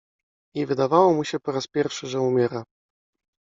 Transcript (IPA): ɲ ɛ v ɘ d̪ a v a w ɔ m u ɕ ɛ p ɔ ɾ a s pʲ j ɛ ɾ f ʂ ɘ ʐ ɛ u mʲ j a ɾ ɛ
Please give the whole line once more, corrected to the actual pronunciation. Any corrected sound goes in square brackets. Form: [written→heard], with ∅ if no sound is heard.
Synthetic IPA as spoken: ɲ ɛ v ɘ d̪ a v a w ɔ m u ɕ ɛ p ɔ ɾ a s pʲ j ɛ ɾ f ʂ ɘ ʐ ɛ u mʲ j [a→ɛ] ɾ [ɛ→a]